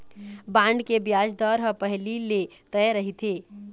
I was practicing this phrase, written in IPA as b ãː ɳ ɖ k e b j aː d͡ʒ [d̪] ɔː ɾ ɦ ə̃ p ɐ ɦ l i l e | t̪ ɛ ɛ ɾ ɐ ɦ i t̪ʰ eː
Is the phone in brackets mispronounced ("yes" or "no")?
no